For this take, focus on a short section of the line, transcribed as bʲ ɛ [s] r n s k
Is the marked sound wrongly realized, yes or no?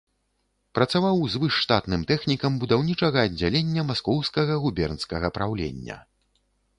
yes